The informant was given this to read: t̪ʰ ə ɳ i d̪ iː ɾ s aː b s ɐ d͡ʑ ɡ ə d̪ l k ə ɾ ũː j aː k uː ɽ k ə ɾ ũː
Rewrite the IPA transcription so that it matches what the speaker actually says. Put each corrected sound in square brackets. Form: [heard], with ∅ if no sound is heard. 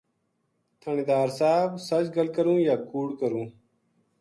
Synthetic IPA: t̪ʰ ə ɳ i d̪ [aː] ɾ s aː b s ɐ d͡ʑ ɡ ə [∅] l k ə ɾ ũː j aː k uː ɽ k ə ɾ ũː